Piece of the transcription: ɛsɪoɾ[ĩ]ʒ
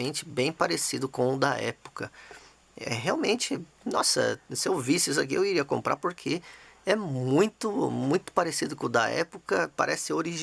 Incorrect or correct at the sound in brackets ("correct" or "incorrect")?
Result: incorrect